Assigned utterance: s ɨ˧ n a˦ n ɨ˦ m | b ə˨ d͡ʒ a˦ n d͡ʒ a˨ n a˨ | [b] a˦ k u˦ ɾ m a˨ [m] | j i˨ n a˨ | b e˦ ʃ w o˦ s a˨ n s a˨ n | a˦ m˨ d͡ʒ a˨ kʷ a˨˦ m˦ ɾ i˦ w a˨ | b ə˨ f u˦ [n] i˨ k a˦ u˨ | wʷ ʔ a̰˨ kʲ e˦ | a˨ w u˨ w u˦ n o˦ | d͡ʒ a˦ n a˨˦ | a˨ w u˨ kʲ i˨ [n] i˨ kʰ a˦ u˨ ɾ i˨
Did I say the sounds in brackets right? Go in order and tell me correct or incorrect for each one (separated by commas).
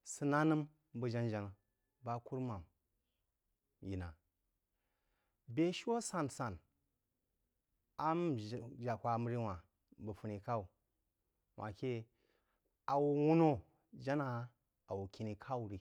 correct, correct, correct, correct